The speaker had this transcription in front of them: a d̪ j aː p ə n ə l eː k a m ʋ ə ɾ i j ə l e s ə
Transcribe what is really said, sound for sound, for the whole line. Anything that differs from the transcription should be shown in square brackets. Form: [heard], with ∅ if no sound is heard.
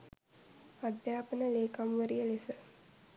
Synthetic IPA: a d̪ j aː p ə n ə l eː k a m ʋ ə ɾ i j ə l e s ə